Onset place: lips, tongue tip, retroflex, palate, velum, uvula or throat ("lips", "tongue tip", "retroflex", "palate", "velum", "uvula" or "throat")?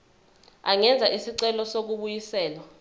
velum